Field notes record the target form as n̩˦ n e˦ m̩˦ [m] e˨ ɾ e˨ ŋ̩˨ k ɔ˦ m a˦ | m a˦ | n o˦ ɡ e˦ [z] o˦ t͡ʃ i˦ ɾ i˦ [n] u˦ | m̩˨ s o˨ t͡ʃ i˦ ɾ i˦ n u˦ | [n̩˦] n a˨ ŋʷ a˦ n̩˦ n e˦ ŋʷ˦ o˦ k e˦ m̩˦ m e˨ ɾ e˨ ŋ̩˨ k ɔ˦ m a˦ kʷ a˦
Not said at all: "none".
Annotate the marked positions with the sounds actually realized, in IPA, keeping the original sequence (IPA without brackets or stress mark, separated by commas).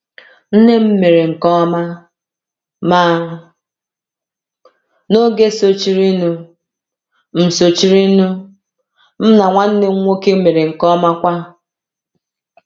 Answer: m, s, n, m̩˦